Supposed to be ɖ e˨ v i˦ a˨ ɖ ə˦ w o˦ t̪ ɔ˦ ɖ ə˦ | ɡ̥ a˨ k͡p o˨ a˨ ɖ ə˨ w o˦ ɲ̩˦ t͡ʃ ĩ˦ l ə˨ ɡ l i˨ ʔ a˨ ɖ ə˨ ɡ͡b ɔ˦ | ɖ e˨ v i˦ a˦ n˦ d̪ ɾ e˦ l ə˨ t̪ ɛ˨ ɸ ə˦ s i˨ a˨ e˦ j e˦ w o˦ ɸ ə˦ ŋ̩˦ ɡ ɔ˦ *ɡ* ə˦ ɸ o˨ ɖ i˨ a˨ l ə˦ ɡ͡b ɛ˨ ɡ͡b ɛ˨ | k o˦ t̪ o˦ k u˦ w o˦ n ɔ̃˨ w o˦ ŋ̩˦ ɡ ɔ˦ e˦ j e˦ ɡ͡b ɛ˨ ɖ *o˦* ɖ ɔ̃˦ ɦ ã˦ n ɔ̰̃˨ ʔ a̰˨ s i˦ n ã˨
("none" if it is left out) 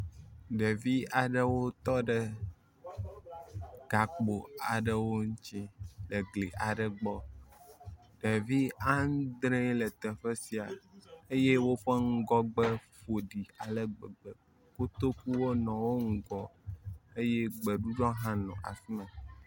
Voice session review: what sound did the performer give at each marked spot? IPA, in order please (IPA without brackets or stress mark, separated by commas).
ɡ͡b, u˦